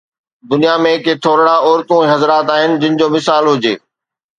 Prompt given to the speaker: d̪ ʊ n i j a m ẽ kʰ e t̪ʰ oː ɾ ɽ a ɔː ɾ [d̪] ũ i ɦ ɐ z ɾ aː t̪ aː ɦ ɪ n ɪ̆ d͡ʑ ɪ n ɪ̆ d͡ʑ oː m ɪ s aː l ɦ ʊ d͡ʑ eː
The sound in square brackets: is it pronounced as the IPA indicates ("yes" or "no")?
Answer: no